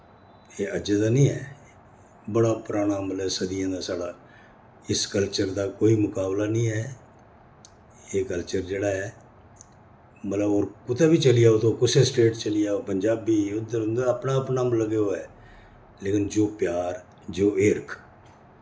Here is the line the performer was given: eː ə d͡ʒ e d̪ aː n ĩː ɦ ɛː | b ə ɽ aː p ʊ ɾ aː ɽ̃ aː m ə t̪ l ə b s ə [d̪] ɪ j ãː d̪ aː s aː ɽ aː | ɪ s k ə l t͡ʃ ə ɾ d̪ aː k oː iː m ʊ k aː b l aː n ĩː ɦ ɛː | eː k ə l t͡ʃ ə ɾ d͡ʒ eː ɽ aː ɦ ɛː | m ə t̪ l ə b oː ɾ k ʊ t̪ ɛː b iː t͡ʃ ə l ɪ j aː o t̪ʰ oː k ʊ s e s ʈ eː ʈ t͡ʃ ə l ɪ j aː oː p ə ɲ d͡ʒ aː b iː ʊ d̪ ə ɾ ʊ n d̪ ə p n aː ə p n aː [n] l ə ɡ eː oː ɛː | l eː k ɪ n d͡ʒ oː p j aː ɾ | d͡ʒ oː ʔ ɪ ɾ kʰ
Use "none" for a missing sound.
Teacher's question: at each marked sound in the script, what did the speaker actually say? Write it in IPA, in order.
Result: d̪, m

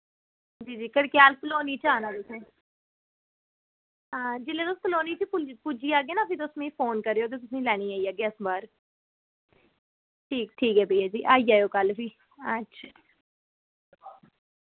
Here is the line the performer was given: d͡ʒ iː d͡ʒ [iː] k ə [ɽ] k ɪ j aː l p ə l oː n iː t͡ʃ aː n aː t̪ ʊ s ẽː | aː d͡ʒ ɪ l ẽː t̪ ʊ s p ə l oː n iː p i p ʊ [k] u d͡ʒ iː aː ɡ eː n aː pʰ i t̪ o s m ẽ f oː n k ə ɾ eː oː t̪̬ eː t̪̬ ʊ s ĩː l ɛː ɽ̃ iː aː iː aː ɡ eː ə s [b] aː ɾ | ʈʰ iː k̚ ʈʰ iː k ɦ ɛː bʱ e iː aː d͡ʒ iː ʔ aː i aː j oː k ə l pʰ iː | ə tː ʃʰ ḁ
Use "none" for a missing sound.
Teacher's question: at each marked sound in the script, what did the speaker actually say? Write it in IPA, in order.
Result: iː, ɽ, p, b

